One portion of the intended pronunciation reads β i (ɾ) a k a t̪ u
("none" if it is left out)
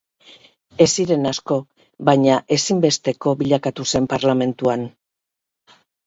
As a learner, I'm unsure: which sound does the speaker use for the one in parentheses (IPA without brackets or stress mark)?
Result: ʎ